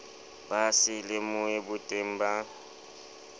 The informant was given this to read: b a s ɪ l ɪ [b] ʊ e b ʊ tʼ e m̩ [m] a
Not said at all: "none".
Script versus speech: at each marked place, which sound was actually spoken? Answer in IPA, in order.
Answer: m, b

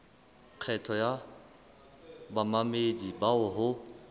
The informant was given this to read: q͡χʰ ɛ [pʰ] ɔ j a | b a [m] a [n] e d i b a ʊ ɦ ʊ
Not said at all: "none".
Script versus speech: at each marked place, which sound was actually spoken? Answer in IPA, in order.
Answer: tʰ, m, m

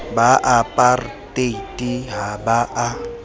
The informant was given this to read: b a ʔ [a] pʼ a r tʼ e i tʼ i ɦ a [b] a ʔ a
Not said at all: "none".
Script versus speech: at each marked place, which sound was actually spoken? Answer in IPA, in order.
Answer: a, b

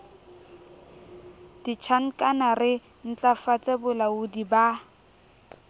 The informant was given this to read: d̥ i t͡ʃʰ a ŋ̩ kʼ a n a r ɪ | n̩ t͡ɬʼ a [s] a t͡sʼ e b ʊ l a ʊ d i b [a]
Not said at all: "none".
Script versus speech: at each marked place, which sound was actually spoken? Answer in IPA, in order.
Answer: f, a

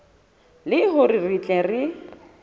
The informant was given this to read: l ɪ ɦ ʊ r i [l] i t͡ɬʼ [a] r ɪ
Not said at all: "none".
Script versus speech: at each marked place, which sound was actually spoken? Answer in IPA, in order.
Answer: r, ɛ

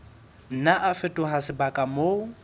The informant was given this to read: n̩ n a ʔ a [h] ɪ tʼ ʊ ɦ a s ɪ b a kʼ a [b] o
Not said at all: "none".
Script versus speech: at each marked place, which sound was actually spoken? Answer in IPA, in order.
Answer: f, m

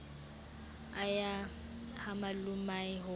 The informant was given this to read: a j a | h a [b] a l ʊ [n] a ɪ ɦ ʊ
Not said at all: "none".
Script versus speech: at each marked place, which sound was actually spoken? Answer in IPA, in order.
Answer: m, m

